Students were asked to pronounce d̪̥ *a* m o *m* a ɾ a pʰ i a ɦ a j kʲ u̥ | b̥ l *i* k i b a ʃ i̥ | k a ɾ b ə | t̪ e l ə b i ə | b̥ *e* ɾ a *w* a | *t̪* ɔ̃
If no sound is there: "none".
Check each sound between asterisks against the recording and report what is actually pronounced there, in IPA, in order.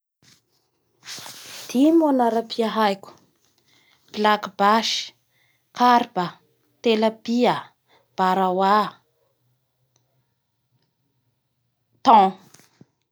i, n, a, a, w, t̪

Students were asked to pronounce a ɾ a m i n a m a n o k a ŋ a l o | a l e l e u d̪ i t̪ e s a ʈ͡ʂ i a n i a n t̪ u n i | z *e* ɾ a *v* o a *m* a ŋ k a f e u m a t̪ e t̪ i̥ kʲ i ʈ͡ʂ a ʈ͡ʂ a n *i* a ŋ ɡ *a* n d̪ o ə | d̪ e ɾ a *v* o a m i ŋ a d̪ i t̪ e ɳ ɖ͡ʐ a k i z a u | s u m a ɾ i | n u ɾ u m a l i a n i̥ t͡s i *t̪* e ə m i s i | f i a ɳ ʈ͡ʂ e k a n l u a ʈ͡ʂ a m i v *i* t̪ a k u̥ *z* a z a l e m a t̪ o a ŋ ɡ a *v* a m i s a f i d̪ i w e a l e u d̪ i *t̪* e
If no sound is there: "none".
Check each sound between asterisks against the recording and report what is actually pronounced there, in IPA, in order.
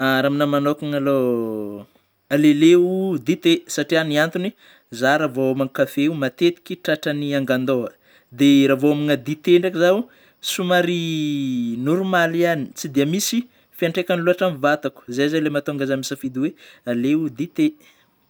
a, v, m, i, a, v, d̪, a, z, z, t̪

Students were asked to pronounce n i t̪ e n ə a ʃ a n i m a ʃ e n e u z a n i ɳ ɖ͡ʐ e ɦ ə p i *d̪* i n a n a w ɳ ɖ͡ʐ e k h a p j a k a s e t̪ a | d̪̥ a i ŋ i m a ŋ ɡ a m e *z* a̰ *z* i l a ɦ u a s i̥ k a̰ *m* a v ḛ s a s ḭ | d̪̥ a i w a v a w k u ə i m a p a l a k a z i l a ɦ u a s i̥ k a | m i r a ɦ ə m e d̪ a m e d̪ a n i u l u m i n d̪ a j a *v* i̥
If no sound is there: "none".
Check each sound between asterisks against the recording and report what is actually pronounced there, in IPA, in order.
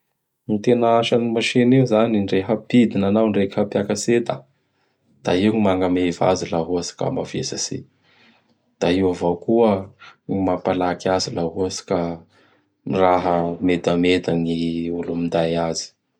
d̪, v, z, m, z

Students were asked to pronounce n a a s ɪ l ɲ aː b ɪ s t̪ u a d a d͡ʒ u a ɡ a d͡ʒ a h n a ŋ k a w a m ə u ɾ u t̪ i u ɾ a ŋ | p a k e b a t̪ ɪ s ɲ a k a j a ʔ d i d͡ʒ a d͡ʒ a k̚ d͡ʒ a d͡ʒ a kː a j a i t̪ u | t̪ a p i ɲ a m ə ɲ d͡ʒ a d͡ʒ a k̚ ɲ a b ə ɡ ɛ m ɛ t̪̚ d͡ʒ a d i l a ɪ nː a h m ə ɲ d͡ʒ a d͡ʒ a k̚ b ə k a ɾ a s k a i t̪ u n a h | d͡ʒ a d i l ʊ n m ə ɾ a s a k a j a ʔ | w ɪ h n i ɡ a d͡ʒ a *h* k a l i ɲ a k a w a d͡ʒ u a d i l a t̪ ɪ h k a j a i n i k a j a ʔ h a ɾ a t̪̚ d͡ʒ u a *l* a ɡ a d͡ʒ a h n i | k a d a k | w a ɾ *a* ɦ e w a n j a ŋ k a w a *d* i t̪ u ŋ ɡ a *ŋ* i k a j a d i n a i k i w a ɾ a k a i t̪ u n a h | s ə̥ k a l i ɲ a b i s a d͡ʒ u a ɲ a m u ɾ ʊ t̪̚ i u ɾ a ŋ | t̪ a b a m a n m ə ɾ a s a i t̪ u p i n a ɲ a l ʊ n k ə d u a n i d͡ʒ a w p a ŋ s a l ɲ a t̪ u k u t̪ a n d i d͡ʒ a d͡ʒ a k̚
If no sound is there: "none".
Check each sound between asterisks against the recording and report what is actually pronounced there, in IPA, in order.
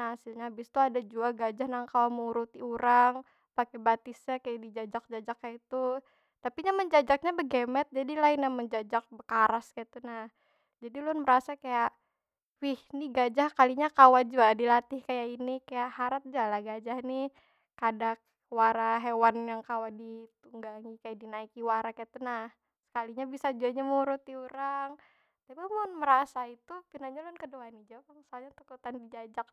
h, l, a, d, ŋ

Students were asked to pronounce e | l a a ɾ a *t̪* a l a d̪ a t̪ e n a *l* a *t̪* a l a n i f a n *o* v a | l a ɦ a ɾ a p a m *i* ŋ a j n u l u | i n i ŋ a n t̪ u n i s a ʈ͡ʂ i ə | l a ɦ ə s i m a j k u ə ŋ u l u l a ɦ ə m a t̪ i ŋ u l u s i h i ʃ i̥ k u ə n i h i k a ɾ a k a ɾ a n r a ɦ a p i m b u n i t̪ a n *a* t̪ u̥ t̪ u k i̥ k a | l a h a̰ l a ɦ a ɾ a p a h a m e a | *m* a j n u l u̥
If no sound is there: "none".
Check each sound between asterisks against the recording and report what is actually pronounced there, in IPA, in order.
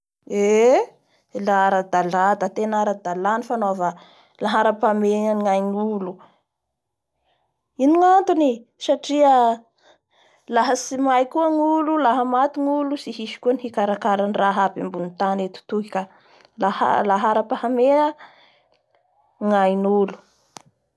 d̪, ɾ, d̪, o, e, e, ŋ

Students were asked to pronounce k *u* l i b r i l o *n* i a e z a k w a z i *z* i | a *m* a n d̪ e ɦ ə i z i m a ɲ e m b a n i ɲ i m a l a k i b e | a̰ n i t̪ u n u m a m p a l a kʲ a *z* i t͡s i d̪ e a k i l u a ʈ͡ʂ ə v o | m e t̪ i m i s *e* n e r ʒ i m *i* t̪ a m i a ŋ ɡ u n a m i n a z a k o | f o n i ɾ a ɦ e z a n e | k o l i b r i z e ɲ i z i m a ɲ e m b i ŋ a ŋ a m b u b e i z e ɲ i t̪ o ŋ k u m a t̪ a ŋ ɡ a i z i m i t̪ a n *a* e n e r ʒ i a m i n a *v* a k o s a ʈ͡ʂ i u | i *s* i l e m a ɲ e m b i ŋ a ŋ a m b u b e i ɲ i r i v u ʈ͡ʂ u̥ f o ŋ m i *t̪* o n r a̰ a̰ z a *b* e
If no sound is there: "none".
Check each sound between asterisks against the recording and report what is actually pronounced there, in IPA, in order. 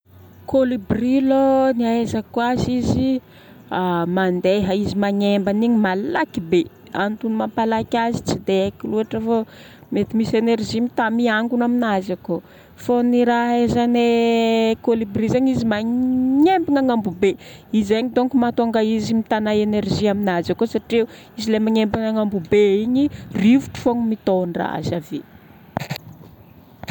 o, n, z, m, z, e, i, a, z, z, t̪, v

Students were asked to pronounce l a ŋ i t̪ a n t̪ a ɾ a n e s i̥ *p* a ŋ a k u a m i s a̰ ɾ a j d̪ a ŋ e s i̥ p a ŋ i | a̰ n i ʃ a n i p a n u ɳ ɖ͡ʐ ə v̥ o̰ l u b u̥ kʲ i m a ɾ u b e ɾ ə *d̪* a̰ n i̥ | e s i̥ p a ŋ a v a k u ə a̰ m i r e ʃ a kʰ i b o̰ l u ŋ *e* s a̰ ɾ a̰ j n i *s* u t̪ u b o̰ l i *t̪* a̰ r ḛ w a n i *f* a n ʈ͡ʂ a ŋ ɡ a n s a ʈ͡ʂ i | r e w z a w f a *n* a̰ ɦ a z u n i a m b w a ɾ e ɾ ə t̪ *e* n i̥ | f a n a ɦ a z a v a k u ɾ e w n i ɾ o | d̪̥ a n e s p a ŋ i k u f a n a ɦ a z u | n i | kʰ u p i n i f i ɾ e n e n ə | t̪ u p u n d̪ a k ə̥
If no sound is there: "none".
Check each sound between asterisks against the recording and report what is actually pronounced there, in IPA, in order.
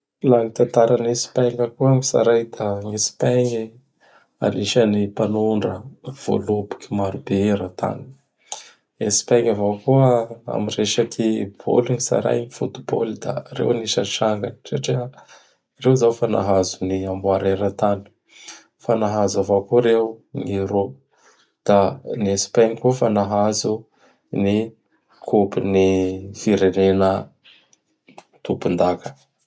p, t̪, i, f, d̪, ʃ, n, a

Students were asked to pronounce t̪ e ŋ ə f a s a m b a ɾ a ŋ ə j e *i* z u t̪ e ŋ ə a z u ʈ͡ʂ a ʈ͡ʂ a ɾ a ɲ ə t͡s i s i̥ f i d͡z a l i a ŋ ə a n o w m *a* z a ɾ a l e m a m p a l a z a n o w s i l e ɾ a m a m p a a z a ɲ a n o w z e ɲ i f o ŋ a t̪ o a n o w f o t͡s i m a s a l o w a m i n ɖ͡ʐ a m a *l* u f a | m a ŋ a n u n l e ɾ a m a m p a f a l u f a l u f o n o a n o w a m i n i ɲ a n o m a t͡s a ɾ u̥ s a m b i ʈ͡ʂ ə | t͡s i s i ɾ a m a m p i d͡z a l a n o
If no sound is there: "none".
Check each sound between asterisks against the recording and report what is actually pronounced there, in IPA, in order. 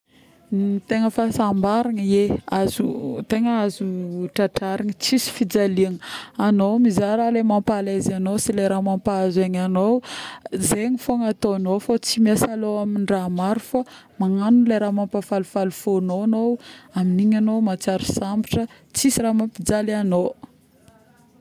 a, i, ɾ

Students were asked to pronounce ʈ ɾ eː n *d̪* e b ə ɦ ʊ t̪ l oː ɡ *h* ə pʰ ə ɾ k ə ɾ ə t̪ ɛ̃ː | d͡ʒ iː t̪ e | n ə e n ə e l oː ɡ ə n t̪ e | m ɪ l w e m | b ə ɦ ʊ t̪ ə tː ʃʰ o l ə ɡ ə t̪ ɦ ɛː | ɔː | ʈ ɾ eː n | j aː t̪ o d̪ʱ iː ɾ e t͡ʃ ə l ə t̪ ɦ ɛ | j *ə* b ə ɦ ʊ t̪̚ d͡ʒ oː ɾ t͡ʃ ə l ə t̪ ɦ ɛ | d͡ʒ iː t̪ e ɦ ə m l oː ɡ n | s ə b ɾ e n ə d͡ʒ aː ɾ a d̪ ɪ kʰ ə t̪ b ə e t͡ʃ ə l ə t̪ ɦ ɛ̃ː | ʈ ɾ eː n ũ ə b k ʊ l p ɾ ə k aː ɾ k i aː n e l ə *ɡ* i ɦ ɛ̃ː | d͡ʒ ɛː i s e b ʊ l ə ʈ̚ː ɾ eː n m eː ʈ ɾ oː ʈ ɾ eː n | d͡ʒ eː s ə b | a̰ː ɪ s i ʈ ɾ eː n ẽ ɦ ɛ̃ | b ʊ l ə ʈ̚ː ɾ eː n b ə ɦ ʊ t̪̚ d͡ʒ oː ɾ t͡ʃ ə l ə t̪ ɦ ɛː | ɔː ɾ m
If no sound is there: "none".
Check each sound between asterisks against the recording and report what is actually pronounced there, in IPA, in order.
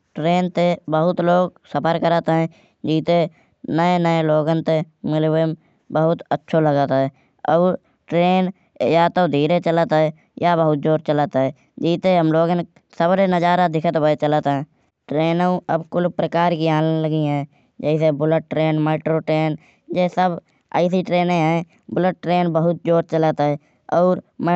t̪, s, a, ɡ

